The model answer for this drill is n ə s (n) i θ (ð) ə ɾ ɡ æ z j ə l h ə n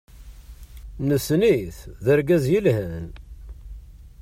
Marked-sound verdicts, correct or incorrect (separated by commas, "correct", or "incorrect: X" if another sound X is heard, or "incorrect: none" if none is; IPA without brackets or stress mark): correct, correct